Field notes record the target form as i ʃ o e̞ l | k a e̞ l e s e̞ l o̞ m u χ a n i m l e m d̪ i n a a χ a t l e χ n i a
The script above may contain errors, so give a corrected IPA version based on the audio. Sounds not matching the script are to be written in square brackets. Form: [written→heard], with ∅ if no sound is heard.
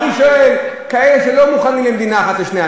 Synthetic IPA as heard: i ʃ o e̞ l | k a e̞ l e [s→ʃ] e̞ l o̞ m u χ a n i m l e m d̪ i n a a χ a t l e [χ→ʃ] n [i→e] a